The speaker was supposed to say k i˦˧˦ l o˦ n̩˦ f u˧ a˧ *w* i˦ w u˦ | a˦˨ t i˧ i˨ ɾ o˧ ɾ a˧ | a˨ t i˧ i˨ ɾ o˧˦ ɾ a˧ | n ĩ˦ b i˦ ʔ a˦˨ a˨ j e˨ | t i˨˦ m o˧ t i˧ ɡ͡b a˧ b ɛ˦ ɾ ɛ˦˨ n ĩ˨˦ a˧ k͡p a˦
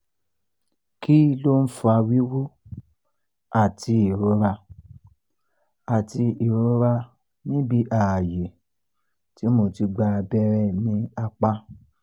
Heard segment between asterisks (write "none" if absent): w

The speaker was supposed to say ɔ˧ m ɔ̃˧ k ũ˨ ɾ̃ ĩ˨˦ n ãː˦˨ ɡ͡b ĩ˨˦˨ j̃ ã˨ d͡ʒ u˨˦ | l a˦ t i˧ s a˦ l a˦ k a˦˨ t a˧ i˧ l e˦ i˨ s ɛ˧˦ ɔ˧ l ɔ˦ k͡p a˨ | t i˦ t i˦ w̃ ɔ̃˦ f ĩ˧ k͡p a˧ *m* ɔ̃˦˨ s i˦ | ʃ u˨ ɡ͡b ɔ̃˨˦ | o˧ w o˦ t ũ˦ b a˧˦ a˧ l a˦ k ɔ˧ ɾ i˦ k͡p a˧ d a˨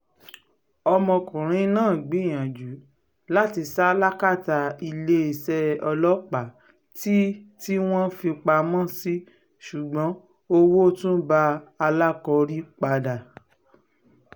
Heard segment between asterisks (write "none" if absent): m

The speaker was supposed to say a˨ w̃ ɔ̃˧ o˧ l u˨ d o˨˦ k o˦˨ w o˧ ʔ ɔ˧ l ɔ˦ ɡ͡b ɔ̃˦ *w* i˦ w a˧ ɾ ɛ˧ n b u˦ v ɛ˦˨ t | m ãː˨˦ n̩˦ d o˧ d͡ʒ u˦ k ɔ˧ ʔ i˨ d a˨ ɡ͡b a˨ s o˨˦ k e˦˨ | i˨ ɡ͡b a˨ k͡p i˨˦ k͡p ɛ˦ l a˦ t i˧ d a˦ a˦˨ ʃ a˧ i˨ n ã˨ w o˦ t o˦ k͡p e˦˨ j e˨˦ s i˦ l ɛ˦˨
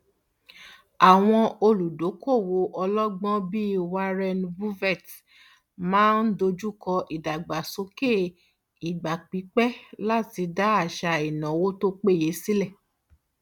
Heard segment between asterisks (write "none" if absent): b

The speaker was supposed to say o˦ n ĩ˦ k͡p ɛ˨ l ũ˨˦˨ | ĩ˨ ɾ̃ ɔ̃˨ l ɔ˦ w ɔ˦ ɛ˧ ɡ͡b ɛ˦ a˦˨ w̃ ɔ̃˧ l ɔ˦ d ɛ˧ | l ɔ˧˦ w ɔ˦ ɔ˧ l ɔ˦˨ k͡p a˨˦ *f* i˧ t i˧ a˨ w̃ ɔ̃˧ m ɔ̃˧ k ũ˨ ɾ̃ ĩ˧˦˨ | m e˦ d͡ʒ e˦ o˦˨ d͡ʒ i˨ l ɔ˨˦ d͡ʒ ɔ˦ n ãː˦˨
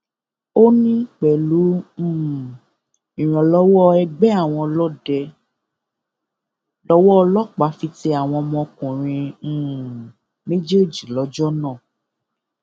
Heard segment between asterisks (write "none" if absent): f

